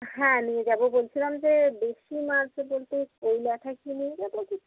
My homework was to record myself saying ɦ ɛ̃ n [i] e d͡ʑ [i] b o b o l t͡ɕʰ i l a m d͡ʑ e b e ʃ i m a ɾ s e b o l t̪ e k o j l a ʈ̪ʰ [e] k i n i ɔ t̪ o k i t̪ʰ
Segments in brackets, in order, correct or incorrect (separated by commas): correct, incorrect, incorrect